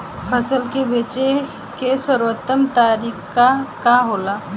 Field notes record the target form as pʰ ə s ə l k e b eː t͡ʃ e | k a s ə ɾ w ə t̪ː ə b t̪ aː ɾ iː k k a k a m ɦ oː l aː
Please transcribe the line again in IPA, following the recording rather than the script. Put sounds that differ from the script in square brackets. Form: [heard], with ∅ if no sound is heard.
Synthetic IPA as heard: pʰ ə s ə l k e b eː t͡ʃ e | k [e] s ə ɾ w ə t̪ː ə [m] t̪ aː ɾ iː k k a k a [∅] ɦ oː l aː